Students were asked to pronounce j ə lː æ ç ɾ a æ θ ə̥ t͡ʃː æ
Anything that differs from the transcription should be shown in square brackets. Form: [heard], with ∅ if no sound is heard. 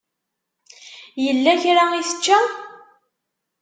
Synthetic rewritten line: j ə lː æ ç ɾ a [i] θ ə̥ t͡ʃː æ